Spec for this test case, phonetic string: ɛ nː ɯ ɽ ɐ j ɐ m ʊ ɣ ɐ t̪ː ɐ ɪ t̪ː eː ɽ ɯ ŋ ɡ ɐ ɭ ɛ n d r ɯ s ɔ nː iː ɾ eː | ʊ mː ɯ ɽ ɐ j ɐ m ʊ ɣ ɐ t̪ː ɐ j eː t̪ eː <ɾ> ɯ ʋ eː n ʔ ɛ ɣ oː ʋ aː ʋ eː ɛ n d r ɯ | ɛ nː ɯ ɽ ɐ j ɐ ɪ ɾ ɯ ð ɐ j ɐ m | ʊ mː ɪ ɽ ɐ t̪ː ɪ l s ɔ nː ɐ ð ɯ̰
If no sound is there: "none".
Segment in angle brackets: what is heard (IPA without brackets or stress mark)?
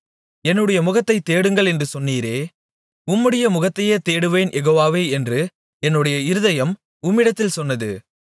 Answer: ɽ